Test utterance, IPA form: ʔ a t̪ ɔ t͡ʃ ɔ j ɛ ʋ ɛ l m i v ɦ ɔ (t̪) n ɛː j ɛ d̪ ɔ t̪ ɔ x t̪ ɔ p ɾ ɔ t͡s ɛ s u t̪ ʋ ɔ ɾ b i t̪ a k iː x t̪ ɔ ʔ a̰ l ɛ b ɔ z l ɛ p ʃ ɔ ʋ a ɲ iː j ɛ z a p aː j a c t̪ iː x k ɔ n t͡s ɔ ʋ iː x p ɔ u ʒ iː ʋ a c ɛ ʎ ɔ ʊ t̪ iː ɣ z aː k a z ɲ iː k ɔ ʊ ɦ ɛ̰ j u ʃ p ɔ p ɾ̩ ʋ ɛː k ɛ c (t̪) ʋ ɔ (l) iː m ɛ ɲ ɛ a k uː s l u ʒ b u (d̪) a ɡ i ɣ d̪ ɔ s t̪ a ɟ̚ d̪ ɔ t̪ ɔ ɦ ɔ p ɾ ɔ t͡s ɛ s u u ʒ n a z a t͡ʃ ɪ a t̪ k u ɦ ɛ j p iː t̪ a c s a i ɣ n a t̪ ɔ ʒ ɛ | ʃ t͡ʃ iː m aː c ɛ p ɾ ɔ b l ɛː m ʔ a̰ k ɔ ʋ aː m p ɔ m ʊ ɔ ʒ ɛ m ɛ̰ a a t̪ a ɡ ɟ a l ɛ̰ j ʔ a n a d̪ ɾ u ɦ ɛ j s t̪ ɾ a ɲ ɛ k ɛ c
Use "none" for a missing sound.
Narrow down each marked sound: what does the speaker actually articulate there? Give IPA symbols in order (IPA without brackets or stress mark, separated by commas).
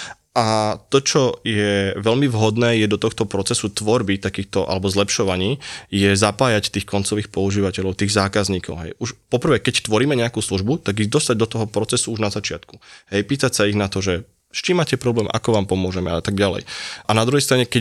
d̪, t̪, ɾ, t̪